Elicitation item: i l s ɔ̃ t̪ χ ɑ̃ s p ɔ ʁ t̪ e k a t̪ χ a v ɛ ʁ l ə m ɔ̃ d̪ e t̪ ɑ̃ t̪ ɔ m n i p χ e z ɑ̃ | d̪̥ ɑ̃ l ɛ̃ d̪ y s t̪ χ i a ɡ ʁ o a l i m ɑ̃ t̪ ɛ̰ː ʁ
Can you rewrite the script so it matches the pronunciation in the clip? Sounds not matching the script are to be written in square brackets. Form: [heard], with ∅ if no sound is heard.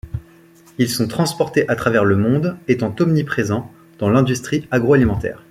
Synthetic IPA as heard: i l s ɔ̃ t̪ χ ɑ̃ s p ɔ ʁ t̪ e [ʔ] a t̪ χ a v ɛ ʁ l ə m ɔ̃ d̪ e t̪ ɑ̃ t̪ ɔ m n i p χ e z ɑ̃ | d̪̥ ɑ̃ l ɛ̃ d̪ y s t̪ χ i a ɡ ʁ o a l i m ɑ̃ t̪ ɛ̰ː ʁ